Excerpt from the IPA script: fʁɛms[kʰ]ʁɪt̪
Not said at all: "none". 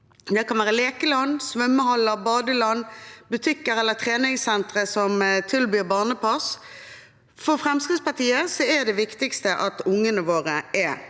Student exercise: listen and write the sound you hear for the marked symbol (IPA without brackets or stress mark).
k